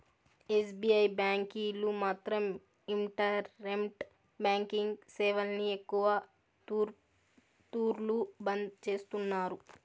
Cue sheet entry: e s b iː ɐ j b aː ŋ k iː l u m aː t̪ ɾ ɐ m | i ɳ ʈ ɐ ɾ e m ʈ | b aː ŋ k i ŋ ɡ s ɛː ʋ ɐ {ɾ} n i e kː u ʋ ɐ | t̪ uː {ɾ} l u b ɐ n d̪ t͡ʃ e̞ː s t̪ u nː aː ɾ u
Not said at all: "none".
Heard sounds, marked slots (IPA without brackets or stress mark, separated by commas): l, ɾ